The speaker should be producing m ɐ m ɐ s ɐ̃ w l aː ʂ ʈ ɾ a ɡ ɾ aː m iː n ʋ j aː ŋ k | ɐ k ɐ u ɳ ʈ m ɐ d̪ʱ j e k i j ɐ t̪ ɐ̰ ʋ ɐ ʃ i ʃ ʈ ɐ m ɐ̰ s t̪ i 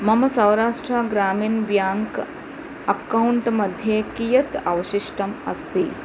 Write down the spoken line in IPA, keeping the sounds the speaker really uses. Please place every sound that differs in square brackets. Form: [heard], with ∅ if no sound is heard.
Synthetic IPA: m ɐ m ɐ s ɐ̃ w [ɾ] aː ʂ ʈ ɾ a ɡ ɾ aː m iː n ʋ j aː ŋ k | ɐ k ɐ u ɳ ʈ m ɐ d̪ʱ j e k i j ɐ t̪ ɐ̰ ʋ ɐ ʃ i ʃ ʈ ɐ m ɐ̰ s t̪ i

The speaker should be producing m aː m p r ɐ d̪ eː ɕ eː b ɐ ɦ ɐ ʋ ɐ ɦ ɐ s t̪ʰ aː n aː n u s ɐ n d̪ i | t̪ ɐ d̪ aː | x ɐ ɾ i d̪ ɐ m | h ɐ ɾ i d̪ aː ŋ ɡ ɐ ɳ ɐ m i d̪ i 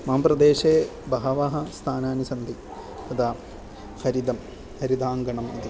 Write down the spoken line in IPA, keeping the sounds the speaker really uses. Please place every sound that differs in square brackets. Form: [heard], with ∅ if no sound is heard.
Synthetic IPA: m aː m p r ɐ d̪ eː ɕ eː b ɐ ɦ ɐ ʋ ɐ ɦ ɐ s t̪ʰ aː n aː n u s ɐ n d̪ i | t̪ ɐ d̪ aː | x ɐ ɾ i d̪ ɐ m | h ɐ ɾ i d̪ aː ŋ ɡ ɐ ɳ ɐ m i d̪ i

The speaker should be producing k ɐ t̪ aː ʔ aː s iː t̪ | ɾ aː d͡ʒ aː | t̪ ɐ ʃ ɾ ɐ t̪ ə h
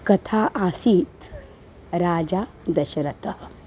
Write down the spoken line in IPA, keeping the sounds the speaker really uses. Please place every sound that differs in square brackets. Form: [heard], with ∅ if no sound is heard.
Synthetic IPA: k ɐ [t̪ʰ] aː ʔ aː s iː t̪ | ɾ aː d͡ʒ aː | [d̪] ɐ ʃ ɾ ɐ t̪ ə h

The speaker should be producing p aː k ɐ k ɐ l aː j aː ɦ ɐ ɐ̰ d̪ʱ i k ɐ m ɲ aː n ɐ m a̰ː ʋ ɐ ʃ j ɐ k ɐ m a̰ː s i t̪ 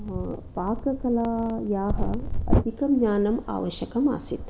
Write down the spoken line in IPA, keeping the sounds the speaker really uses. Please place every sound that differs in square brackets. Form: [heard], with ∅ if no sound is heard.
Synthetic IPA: p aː k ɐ k ɐ l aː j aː ɦ ɐ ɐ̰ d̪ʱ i k ɐ m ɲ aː n ɐ m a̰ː ʋ ɐ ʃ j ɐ k ɐ m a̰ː s i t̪

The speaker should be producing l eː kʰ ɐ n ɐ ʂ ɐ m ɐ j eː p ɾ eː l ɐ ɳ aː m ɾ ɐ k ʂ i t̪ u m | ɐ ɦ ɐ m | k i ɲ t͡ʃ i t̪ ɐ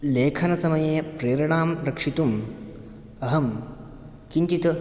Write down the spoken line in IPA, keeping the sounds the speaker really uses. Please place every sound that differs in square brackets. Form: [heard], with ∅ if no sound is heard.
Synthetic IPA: l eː kʰ ɐ n ɐ [s] ɐ m ɐ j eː p ɾ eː [ɾ] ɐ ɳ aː m ɾ ɐ k ʂ i t̪ u m | ɐ ɦ ɐ m | k i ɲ t͡ʃ i t̪ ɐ

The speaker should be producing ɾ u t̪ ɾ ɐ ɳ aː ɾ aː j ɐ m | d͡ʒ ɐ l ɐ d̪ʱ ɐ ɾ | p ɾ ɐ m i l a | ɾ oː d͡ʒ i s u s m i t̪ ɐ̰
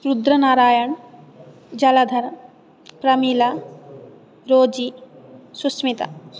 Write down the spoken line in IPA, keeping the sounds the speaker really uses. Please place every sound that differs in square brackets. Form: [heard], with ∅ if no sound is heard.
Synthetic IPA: ɾ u [d̪] ɾ ɐ [n] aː ɾ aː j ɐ [ɳ] | d͡ʒ ɐ l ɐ d̪ʱ ɐ ɾ | p ɾ ɐ m i l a | ɾ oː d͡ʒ i s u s m i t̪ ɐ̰

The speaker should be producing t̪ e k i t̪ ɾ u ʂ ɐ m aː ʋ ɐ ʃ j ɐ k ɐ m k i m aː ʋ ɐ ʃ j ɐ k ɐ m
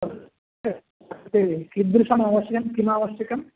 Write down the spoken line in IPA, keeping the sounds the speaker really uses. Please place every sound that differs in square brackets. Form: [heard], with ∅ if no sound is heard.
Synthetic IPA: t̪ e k i [d̪] ɾ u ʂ ɐ m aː ʋ ɐ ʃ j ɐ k ɐ m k i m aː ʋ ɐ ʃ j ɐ k ɐ m

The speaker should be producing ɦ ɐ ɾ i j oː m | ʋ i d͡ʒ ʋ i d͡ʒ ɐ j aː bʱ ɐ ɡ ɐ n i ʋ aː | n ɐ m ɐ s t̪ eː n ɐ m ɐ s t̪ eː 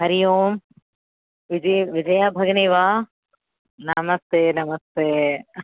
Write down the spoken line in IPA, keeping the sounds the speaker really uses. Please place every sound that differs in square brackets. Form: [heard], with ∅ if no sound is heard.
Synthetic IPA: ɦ ɐ ɾ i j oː m | ʋ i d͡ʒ ʋ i d͡ʒ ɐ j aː bʱ ɐ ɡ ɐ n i ʋ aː | n ɐ m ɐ s t̪ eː n ɐ m ɐ s t̪ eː

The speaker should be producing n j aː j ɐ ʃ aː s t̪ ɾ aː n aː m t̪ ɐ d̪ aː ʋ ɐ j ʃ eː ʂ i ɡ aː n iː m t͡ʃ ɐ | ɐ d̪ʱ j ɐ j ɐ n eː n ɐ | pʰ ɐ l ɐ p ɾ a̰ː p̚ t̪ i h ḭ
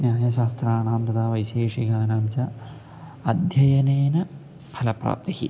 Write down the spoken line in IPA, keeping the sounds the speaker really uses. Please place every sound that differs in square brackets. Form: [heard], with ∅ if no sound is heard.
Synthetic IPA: n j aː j ɐ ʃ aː s t̪ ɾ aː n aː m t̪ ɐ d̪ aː ʋ ɐ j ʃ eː ʂ i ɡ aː n [aː] m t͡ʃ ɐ | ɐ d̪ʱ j ɐ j ɐ n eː n ɐ | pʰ ɐ l ɐ p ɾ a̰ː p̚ t̪ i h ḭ

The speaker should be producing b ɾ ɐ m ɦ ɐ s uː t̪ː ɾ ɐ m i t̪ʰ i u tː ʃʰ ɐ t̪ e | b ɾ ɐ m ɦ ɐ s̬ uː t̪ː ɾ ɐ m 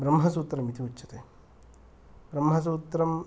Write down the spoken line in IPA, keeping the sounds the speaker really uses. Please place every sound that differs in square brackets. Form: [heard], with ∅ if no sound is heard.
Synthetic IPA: b ɾ ɐ m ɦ ɐ s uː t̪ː ɾ ɐ m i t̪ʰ i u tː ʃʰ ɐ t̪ e | b ɾ ɐ m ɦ ɐ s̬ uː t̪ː ɾ ɐ m

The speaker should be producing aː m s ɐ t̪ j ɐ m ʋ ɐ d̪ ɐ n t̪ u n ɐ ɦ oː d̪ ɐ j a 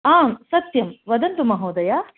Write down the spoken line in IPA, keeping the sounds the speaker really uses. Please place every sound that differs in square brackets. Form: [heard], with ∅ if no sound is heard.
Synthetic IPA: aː m s ɐ t̪ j ɐ m ʋ ɐ d̪ ɐ n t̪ u [m] ɐ ɦ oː d̪ ɐ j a

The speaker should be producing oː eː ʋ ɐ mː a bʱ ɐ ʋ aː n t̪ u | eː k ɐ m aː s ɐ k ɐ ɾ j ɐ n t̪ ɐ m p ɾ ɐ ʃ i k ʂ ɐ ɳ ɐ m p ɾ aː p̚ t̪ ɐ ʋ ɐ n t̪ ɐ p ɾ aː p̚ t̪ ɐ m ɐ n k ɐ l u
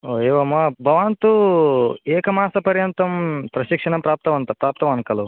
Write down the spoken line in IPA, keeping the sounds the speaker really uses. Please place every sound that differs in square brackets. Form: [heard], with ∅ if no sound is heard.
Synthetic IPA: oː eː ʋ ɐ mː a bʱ ɐ ʋ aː n t̪ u | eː k ɐ m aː s ɐ [p] ɐ ɾ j ɐ n t̪ ɐ m p ɾ ɐ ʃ i k ʂ ɐ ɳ ɐ m p ɾ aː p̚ t̪ ɐ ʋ ɐ n t̪ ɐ p ɾ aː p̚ t̪ ɐ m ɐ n k ɐ l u

